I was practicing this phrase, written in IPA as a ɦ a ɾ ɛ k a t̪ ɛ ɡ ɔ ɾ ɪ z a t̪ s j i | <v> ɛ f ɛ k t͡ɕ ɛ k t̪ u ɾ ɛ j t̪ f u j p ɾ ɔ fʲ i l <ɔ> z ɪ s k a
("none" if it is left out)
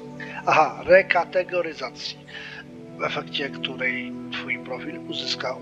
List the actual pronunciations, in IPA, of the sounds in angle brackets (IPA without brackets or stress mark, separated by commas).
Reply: v, u